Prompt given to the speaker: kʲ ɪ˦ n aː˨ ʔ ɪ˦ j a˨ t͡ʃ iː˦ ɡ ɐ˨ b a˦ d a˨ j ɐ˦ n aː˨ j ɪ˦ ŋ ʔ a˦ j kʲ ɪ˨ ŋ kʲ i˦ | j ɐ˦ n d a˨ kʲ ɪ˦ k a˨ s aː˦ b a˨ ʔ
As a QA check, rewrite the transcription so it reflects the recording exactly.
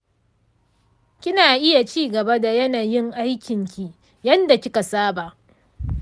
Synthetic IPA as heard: kʲ ɪ˦ n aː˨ ʔ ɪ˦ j a˨ t͡ʃ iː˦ ɡ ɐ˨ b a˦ d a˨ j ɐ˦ n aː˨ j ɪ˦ ŋ ʔ a˦ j kʲ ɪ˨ ŋ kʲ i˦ | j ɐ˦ n d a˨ kʲ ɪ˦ k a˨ s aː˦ b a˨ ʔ